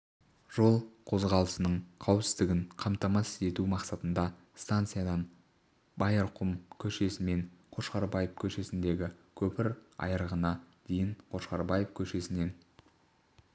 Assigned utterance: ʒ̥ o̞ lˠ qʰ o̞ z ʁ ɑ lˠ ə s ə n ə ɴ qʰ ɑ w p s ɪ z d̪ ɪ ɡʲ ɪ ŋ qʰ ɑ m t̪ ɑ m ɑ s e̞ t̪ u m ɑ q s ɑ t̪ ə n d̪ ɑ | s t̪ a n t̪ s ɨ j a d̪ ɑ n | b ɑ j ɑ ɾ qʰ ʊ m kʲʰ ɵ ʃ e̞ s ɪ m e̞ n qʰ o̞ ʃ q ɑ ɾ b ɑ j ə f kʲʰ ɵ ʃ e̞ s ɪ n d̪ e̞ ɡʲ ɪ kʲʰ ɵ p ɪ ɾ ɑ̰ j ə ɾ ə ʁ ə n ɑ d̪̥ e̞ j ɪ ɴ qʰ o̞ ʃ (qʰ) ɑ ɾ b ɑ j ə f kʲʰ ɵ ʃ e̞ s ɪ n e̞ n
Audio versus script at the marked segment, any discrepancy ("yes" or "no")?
yes